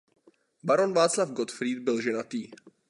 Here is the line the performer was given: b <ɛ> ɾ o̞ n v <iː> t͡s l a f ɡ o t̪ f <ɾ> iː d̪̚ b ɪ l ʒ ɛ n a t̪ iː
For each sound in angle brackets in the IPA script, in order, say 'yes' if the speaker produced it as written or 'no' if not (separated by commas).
no, no, yes